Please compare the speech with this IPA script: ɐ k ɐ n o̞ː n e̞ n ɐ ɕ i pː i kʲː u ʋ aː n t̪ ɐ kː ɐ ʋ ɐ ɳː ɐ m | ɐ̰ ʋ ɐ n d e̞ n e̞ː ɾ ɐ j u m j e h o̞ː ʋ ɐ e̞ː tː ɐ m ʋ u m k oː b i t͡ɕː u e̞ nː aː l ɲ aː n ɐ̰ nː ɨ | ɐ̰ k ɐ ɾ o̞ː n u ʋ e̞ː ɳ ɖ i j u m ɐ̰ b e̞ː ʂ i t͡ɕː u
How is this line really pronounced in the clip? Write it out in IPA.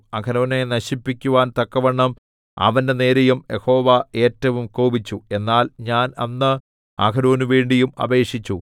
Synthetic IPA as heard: ɐ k ɐ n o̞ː n e̞ n ɐ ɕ i pː i kʲː u ʋ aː n t̪ ɐ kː ɐ ʋ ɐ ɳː ɐ m | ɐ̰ ʋ ɐ n d e̞ n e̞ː ɾ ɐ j u m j e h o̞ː ʋ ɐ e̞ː tː ɐ ʋ u m k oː b i t͡ɕː u e̞ nː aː l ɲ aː n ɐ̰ nː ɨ | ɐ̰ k ɐ ɾ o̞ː n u ʋ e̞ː ɳ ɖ i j u m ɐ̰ b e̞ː ʂ i t͡ɕː u